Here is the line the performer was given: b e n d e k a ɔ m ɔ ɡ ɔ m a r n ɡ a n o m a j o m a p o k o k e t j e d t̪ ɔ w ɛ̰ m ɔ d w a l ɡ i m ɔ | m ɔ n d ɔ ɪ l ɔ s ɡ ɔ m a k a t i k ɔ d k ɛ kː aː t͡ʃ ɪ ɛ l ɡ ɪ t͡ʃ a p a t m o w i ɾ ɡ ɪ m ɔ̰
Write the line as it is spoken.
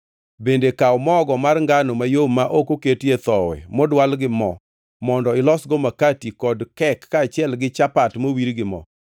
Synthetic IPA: b e n d e k a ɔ m ɔ ɡ ɔ m a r ŋ ɡ a n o m a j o m a ʔ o k o k e t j e t̪ ɔ w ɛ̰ m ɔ d w a l ɡ ɪ m ɔ | m ɔ n d ɔ ɪ l ɔ s ɡ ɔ m a k a t i k ɔ d k ɛ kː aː t͡ʃ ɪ ɛ l ɡ ɪ t͡ʃ a p a t m o w i ɾ ɡ ɪ m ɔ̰